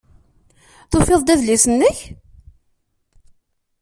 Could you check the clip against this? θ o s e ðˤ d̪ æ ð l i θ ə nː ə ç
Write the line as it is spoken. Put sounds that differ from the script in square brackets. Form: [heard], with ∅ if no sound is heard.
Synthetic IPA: θ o [f] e ðˤ d̪ æ ð l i [s] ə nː ə ç

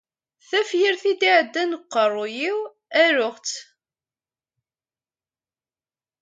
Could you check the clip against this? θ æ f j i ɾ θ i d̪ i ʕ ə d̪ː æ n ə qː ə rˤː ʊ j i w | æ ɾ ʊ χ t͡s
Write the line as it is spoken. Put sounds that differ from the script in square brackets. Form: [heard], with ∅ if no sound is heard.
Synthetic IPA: θ æ f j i ɾ θ i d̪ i ʕ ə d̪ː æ n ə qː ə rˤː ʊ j i w | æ ɾ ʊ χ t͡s

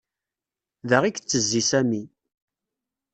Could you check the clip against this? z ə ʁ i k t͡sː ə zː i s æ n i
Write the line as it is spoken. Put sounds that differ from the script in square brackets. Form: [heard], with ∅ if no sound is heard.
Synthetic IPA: [ð] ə ʁ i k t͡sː ə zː i s æ [m] i

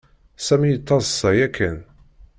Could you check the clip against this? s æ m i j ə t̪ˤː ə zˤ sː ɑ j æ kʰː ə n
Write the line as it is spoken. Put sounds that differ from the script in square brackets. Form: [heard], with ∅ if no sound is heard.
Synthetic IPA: s æ m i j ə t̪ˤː [ɑ] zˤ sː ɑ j æ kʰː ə n

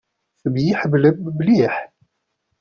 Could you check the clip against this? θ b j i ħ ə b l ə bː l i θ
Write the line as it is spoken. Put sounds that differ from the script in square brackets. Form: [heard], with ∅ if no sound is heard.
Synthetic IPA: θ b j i ħ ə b l ə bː l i [ħ]

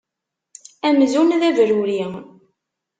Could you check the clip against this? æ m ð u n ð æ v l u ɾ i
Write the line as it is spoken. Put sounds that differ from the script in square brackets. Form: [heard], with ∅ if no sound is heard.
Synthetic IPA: æ m [z] u n ð æ v [ɾ] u ɾ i

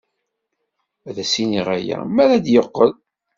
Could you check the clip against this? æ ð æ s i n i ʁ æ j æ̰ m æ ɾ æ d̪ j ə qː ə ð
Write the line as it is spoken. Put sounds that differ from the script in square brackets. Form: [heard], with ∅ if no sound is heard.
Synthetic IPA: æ ð æ s i n i ʁ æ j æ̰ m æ ɾ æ d̪ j ə qː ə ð

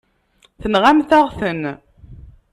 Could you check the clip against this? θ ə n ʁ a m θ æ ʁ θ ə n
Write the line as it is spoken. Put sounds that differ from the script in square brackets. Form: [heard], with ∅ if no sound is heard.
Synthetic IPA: θ ə n ʁ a m θ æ ʁ θ ə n

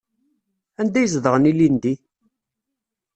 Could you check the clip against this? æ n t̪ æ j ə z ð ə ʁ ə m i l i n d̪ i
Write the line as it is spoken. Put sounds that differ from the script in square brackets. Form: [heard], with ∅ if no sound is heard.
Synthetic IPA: æ n [d̪] æ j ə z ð ə ʁ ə [n] i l i n d̪ i

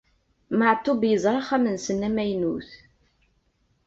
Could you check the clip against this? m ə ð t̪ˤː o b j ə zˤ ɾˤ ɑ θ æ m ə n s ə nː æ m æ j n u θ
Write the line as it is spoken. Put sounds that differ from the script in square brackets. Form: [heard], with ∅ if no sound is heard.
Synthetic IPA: m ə [ʕ] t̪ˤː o b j ə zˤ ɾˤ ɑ [χ] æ m ə n s ə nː æ m æ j n u θ

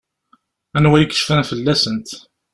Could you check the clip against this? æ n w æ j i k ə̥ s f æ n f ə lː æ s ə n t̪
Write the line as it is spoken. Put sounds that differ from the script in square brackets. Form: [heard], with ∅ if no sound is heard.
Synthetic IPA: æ n w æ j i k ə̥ [ʃ] f æ n f ə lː æ s ə n t̪

